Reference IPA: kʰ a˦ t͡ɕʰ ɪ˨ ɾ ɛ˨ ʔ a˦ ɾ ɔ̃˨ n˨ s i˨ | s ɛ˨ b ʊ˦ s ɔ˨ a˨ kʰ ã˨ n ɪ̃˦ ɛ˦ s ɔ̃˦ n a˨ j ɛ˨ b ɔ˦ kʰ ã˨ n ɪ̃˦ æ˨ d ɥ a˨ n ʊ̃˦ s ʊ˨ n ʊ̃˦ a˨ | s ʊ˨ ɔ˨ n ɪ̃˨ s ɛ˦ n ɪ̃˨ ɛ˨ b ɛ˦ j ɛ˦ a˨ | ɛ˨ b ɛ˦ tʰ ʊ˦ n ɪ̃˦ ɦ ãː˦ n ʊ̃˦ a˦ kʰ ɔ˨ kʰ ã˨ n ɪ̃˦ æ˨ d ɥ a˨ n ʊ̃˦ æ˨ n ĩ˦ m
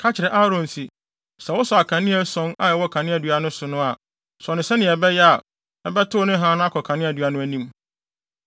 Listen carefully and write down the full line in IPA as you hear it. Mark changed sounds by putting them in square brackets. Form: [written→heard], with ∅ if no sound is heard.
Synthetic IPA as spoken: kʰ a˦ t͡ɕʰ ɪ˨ ɾ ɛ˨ ʔ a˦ ɾ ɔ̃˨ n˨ s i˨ | s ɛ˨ [b→w] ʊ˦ s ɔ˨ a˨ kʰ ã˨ n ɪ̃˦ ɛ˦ s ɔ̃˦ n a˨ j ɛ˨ [b→w] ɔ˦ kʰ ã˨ n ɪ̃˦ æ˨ d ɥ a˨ n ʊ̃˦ s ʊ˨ n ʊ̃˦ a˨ | s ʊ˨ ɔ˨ n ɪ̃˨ s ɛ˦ n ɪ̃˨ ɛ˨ b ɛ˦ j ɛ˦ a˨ | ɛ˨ b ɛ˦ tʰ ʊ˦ n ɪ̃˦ ɦ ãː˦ n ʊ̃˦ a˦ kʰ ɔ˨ kʰ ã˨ n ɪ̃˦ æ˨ d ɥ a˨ n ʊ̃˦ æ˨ n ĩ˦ m

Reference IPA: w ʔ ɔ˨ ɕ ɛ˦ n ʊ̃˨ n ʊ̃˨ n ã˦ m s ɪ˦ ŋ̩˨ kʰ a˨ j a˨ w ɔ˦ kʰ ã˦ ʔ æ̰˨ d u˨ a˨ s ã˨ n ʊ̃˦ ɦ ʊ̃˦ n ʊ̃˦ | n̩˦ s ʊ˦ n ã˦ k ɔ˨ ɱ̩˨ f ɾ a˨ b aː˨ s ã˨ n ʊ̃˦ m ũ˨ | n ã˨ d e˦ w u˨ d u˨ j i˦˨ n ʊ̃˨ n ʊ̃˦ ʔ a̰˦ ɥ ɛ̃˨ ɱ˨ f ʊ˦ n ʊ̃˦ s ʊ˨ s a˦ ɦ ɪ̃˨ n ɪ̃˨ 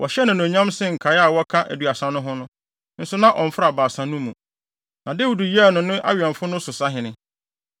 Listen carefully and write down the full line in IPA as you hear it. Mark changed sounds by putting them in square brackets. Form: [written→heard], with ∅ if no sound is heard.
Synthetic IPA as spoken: w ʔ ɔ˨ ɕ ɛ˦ n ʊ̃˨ n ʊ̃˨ [n→ɲ] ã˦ m s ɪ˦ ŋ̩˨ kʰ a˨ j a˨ w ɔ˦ kʰ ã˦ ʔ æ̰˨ d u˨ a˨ s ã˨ n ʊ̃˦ ɦ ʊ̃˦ n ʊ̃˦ | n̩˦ s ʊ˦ n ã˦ [k→ʔ] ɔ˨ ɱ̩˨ f ɾ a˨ b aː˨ s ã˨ n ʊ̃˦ m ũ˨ | n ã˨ d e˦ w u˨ d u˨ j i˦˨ n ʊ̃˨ n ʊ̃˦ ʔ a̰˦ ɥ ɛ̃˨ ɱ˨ f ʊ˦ n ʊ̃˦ s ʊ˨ s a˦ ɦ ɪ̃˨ n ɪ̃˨

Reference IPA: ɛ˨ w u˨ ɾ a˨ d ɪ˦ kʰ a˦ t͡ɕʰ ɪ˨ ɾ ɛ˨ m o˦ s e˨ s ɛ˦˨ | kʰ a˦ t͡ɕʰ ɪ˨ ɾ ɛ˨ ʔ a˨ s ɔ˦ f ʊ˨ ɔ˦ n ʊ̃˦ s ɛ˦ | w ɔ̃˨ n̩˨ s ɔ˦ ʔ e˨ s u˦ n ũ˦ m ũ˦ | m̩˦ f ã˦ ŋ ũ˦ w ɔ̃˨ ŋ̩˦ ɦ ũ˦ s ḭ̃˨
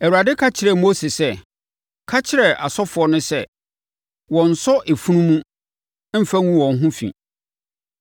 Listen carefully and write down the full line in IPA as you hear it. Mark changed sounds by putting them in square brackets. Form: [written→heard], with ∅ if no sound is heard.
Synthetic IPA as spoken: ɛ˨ w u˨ ɾ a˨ d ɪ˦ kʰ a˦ t͡ɕʰ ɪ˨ ɾ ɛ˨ m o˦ s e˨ s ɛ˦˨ | kʰ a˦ t͡ɕʰ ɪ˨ ɾ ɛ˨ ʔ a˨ s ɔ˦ f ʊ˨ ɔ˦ n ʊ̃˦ s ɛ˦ | w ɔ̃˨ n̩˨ s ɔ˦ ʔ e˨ [s→f] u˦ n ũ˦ m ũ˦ | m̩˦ f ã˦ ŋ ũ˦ w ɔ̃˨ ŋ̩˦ ɦ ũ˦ [s→f] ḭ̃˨

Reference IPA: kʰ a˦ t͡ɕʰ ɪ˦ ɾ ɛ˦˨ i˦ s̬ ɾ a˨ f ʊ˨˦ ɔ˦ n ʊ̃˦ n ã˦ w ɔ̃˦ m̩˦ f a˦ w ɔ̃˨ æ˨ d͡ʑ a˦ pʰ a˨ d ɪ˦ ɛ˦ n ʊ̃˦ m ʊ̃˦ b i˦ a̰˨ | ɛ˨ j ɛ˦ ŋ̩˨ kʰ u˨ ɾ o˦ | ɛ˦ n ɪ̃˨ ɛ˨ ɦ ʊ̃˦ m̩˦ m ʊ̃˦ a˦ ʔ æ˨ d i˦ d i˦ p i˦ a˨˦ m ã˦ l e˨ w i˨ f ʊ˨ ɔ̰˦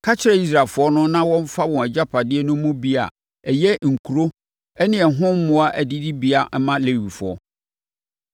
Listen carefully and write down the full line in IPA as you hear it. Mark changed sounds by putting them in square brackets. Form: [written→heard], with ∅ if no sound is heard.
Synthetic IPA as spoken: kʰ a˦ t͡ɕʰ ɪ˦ ɾ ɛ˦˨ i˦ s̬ ɾ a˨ f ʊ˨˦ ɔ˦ n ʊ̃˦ n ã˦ w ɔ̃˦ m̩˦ f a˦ w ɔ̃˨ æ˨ d͡ʑ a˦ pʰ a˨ d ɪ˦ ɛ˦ n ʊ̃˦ m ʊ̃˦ b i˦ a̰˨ | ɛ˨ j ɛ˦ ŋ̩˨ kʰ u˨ ɾ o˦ | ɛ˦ n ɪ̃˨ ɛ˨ ɦ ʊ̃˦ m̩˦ m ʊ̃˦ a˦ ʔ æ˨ d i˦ d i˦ [p→b] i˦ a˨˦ m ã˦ l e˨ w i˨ f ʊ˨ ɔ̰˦

